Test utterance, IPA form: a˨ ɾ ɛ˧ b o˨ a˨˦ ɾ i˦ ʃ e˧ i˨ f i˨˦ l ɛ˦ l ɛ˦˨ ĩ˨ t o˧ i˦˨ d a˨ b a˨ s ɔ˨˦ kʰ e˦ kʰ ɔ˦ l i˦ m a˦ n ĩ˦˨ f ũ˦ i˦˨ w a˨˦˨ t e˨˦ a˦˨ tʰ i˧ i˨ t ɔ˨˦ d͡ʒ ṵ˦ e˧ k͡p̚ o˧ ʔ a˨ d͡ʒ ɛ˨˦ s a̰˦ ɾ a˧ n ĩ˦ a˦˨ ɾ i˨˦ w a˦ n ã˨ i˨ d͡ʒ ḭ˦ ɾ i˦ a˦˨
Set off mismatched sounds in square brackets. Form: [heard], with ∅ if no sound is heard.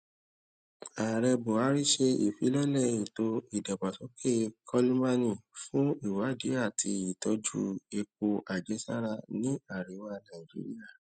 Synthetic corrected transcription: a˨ ɾ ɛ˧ b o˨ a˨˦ ɾ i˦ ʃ e˧ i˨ f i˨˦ l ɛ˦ l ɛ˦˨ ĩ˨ t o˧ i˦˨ d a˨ b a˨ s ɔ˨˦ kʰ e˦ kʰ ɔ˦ l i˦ m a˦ n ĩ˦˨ f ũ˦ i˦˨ w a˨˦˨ [d] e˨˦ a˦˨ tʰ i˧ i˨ t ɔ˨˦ d͡ʒ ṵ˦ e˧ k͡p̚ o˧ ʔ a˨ d͡ʒ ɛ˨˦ s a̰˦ ɾ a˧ n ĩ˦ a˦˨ ɾ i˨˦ w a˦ n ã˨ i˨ d͡ʒ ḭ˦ ɾ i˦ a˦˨